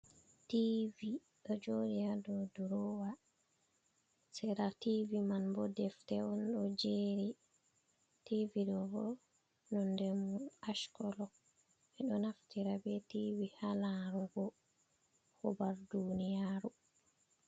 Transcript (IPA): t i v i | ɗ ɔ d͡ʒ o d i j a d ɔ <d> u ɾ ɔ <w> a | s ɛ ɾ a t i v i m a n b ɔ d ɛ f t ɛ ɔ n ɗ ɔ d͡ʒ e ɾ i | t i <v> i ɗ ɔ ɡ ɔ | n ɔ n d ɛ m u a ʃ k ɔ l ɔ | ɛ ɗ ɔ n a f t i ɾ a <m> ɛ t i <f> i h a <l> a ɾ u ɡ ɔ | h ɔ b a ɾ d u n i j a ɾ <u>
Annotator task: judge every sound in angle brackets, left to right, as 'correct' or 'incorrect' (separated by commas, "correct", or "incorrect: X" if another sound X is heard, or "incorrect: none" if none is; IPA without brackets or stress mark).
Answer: correct, correct, correct, incorrect: b, incorrect: v, correct, correct